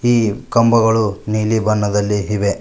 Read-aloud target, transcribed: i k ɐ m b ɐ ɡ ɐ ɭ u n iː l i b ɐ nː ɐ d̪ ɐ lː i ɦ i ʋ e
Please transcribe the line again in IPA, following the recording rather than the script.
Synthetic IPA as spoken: iː k ɐ m b ɐ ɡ ɐ ɭ u n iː l i b ɐ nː ɐ d̪ ɐ lː i ɦ i ʋ e